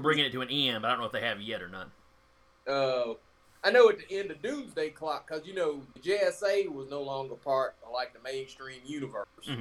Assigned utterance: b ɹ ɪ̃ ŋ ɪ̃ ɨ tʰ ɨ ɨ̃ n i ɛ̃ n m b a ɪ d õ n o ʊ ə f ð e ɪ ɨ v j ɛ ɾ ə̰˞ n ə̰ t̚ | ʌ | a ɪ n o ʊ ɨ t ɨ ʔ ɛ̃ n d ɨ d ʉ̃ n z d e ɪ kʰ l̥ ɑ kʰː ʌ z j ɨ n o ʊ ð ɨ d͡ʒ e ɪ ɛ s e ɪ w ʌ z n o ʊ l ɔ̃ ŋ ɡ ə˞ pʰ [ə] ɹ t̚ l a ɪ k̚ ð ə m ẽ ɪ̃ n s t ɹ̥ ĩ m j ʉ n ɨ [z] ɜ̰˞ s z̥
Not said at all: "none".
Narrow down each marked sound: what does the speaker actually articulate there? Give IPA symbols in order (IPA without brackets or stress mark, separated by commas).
ɑ, v